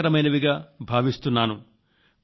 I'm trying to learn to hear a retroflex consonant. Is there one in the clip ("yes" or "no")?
no